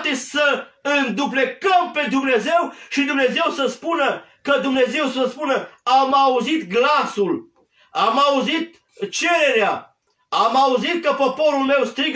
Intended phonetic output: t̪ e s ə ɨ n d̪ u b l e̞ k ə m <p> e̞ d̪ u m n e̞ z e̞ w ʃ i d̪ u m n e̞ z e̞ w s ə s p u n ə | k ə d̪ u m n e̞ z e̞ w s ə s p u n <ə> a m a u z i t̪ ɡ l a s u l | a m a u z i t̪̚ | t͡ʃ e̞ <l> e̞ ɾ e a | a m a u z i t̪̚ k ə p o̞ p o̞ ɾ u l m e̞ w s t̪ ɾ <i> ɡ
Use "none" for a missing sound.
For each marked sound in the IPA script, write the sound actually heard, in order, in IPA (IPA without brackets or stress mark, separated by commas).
p, ə, ɾ, i